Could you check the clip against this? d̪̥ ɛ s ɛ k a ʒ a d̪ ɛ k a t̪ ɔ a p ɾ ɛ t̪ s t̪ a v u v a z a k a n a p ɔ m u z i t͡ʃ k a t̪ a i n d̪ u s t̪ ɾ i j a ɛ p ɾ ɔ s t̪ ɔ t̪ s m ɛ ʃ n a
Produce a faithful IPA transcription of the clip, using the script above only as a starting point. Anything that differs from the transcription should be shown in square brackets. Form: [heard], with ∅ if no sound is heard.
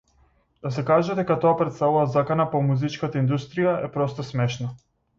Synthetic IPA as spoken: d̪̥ [a] s ɛ k a ʒ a d̪ ɛ k a t̪ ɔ a p ɾ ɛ t̪ s t̪ a v u v a z a k a n a p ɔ m u z i t͡ʃ k a t̪ a i n d̪ u s t̪ ɾ i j a ɛ p ɾ ɔ s t̪ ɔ [∅] s m ɛ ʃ n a

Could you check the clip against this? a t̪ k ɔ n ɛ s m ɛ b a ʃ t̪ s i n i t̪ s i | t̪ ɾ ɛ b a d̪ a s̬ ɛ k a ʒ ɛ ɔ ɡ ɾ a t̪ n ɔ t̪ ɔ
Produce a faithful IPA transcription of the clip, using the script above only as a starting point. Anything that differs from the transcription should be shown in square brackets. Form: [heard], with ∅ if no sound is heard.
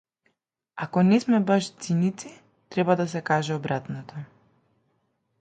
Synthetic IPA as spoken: a [∅] k ɔ n ɛ s m ɛ b a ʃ t̪ s i n i t̪ s i | t̪ ɾ ɛ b a d̪ a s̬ ɛ k a ʒ ɛ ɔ [b] ɾ a t̪ n ɔ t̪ ɔ

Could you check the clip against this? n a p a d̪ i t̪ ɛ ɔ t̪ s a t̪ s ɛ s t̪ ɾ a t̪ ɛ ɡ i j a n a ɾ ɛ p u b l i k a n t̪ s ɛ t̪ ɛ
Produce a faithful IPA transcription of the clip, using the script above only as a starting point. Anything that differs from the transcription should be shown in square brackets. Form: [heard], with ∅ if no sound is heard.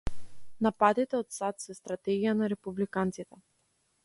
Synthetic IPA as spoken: n a p a d̪ i t̪ ɛ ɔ t̪ s a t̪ s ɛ s t̪ ɾ a t̪ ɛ ɡ i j a n a ɾ ɛ p u b l i k a n t̪ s [i] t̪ ɛ

